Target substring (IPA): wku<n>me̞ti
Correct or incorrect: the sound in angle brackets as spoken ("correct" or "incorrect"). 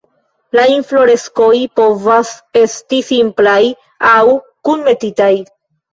correct